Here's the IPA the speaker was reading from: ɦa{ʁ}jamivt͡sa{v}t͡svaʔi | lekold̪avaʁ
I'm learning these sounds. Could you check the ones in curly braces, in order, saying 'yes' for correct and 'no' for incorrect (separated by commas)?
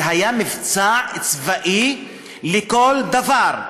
no, no